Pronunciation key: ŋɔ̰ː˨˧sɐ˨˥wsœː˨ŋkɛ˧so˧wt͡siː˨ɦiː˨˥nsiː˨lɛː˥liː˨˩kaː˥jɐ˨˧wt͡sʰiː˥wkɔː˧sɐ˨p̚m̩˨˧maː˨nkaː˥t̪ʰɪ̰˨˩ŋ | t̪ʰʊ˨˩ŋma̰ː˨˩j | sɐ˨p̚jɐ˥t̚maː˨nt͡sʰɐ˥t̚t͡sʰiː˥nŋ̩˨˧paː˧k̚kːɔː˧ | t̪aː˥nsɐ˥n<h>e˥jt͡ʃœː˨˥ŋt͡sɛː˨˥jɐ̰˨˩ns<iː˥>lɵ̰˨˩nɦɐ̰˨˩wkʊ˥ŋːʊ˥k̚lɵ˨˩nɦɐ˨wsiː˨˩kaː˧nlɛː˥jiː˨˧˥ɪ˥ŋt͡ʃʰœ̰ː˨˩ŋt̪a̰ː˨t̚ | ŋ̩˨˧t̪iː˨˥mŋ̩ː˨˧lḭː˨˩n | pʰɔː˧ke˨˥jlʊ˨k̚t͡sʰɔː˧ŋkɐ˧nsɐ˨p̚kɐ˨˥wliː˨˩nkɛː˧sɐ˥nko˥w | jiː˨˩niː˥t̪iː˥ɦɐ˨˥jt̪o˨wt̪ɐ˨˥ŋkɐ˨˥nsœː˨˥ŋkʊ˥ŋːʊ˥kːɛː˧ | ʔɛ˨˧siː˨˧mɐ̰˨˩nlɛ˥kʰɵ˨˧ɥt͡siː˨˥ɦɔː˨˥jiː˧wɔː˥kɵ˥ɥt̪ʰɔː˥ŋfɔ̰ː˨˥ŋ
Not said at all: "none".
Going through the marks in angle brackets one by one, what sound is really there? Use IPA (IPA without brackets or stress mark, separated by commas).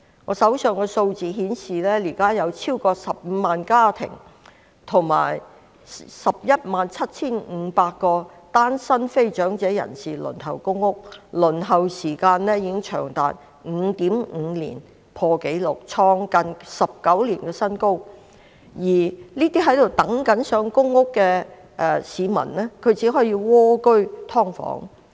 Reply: f, iː˨˩